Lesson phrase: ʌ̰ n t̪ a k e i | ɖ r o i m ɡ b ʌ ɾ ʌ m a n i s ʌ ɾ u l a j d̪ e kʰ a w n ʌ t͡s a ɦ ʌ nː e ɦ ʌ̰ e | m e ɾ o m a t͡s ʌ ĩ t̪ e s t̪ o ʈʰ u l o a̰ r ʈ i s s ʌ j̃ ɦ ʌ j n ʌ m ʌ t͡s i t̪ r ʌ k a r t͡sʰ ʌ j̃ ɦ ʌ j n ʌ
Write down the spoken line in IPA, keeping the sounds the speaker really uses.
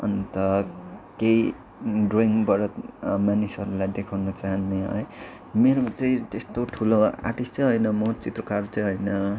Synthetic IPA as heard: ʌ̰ n t̪ ʌ k e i | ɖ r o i ŋ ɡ b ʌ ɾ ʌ m a n i s ʌ ɾ u l a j d̪ e kʰ a w n ʌ t͡s a ɦ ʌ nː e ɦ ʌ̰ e | m e ɾ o m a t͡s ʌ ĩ t̪ e s t̪ o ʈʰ u l o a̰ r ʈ i s t͡s ʌ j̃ ɦ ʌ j n ʌ m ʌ t͡s i t̪ r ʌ k a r t͡s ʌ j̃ ɦ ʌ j n ʌ

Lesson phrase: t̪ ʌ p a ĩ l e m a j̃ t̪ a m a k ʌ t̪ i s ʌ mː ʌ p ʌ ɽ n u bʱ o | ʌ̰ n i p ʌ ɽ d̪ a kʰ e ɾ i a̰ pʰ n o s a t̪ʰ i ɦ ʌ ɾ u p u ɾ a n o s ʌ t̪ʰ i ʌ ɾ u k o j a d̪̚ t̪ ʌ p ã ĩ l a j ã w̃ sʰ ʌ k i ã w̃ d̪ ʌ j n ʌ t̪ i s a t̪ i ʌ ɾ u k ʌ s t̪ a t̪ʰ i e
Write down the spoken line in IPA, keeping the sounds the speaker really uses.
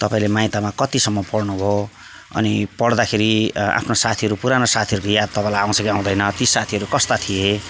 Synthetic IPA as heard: t̪ ʌ p a ĩ l e m a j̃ t̪ a m a k ʌ t̪ i s ʌ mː ʌ p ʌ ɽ n u bʱ o | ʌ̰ n i p ʌ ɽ d̪ a kʰ e ɾ i a̰ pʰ n o s a t̪ʰ i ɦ ʌ ɾ u p u ɾ a n o s a t̪ʰ i ʌ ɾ u k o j a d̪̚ t̪ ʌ p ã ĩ l a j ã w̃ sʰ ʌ k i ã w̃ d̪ ʌ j n ʌ t̪ i s a t̪ʰ i ʌ ɾ u k ʌ s t̪ a t̪ʰ i e

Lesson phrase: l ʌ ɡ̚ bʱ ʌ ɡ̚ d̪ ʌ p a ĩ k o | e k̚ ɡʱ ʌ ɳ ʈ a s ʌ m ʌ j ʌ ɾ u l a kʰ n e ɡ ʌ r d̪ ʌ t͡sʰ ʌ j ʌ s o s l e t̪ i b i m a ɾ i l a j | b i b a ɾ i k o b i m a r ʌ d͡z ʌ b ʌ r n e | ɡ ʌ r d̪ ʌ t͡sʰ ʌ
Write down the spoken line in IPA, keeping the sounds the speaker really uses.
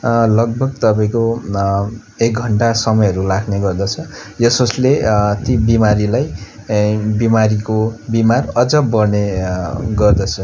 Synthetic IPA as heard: l ʌ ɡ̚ bʱ ʌ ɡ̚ t̪ ʌ p a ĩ k o | e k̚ ɡʱ ʌ ɳ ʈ a s ʌ m ʌ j ʌ ɾ u l a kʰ n e ɡ ʌ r d̪ ʌ t͡sʰ ʌ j ʌ s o s l e t̪ i b i m a ɾ i l a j | b i m a ɾ i k o b i m a r ʌ d͡z ʌ b ʌ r n e | ɡ ʌ r d̪ ʌ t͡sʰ ʌ

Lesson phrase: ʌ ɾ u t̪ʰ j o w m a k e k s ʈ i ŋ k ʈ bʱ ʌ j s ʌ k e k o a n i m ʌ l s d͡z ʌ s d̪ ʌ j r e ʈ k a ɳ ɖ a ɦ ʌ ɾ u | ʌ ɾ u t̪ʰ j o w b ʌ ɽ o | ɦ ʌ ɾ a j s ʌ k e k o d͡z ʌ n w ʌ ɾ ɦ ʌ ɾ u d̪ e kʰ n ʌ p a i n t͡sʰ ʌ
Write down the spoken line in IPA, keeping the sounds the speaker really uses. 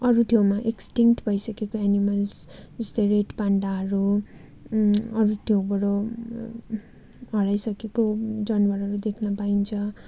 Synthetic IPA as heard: ʌ ɾ u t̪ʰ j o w m a ʔ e k s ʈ i ŋ k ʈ bʱ ʌ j s ʌ k e k o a n i m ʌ l s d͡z ʌ s t̪ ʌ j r e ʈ p a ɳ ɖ a ɦ ʌ ɾ u | ʌ ɾ u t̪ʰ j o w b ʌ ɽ o | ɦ ʌ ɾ a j s ʌ k e k o d͡z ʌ n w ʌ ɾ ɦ ʌ ɾ u d̪ e kʰ n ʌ p a i n t͡sʰ ʌ

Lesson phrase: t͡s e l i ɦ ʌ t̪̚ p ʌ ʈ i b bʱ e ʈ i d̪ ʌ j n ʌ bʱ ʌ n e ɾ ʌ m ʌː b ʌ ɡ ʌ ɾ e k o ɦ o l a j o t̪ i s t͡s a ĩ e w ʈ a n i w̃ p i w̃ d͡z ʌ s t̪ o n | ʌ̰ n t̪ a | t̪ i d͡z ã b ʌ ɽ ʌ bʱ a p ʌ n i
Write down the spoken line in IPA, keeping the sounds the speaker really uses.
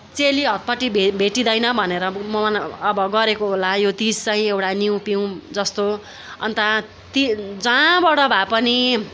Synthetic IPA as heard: t͡s e l i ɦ ʌ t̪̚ p ʌ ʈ i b bʱ e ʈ i d̪ ʌ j n ʌ bʱ ʌ n e ɾ ʌ m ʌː b ʌ ɡ ʌ ɾ e k o ɦ o l a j o t̪ i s t͡s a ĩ e w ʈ a n i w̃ p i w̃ d͡z ʌ s t̪ o | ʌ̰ n t̪ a | t̪ i d͡z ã b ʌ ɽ ʌ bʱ a p ʌ n i

